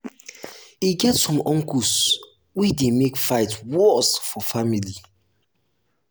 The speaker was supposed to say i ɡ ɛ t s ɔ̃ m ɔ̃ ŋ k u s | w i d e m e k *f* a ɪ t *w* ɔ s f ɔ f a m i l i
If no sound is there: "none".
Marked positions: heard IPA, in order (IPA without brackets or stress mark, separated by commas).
f, w